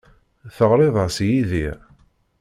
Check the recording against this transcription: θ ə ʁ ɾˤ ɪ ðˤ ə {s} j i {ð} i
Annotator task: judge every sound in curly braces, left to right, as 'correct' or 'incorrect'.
correct, correct

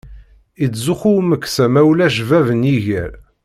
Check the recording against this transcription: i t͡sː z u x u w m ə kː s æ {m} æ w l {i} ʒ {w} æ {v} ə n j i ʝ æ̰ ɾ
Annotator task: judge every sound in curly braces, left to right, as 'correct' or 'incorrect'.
correct, incorrect: æ, incorrect: v, correct

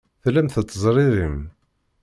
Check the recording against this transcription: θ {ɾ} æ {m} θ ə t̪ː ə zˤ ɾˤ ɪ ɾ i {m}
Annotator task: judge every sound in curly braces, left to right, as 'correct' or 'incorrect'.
incorrect: l, correct, correct

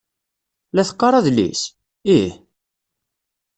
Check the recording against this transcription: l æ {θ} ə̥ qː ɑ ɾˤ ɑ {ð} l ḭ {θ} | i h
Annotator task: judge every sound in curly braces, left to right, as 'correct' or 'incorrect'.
correct, correct, incorrect: s

